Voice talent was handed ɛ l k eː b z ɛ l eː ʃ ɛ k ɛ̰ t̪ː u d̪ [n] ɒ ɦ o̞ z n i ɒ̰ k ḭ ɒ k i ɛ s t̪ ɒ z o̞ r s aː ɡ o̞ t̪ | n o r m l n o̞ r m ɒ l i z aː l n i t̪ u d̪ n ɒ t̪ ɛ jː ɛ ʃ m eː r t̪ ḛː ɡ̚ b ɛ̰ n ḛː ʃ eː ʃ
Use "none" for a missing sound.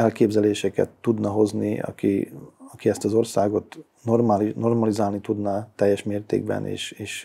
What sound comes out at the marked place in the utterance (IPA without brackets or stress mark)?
n